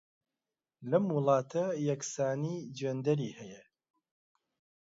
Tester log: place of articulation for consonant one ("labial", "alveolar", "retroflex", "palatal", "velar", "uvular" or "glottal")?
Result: alveolar